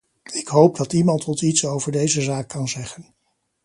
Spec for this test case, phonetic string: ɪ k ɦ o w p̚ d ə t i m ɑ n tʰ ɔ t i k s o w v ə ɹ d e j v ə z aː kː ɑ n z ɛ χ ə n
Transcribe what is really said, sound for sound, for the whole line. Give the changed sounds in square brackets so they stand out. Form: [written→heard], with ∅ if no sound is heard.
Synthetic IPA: ɪ k ɦ o w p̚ d [ə→ɑ] t i m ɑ n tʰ ɔ t i [k→t] s o w v ə ɹ d e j [v→z] ə z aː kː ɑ n z ɛ χ ə n